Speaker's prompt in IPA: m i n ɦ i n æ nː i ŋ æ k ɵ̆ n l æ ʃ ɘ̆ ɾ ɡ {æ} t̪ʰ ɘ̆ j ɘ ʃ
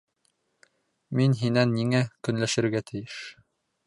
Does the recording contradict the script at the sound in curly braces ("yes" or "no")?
no